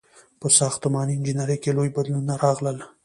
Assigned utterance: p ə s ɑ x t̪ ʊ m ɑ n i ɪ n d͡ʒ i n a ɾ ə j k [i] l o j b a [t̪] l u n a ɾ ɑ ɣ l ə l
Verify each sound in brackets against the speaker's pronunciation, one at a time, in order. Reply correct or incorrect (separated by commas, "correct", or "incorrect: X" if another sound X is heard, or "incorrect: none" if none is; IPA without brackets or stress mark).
incorrect: e, incorrect: d̪